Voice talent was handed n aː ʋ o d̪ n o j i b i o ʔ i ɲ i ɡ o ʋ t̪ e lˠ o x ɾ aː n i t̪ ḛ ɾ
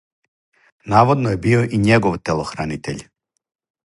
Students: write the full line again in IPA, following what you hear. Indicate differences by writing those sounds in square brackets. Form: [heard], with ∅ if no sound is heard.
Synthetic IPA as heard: n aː ʋ o d̪ n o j [e] b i o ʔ i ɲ [e] ɡ o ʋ t̪ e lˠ o x ɾ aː n i t̪ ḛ [ʎ]